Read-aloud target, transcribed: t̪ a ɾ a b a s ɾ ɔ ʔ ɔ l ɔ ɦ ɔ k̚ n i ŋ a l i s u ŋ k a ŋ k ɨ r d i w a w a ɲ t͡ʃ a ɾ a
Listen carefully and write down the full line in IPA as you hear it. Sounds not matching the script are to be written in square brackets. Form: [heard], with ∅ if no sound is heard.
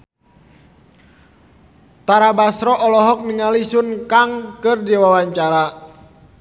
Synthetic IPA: t̪ a ɾ a b a s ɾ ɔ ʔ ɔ l ɔ ɦ ɔ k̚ n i ŋ a l i s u [n] k a ŋ k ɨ r d i w a w a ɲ t͡ʃ a ɾ a